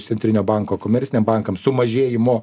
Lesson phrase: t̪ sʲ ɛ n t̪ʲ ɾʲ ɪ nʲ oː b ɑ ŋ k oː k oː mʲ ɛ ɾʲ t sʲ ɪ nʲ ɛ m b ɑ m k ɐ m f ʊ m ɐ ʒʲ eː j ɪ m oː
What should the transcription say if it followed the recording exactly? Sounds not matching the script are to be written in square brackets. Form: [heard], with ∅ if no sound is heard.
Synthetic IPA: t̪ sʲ ɛ n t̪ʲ ɾʲ ɪ nʲ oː b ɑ ŋ k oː k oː mʲ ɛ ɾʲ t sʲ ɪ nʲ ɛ m b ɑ [ŋ] k ɐ m [s] ʊ m ɐ ʒʲ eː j ɪ m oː